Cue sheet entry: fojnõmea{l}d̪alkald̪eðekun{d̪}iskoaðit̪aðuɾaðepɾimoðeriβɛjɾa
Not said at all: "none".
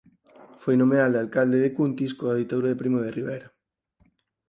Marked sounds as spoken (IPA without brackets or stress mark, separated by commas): l, t̪